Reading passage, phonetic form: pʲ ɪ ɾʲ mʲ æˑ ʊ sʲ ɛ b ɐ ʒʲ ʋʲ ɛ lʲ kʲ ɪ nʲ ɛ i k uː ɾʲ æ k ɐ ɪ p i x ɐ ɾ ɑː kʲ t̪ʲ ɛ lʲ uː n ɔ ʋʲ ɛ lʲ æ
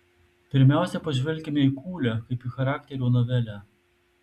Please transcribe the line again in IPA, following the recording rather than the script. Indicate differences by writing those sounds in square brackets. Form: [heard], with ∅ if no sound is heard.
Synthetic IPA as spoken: pʲ ɪ ɾʲ mʲ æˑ ʊ sʲ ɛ [p] ɐ ʒʲ ʋʲ ɛ lʲ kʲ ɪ [mʲ] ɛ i k uː [lʲ] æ k ɐ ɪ p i x ɐ ɾ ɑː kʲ t̪ʲ ɛ [ɾʲ] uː n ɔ ʋʲ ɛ lʲ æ